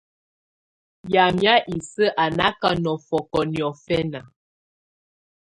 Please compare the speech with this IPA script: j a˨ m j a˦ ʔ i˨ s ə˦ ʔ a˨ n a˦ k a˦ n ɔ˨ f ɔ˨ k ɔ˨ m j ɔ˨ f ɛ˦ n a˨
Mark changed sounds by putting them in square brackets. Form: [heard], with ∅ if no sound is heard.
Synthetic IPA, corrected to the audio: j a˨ m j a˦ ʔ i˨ s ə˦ ʔ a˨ n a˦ k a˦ n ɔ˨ f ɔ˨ k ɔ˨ [n] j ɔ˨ f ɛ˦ n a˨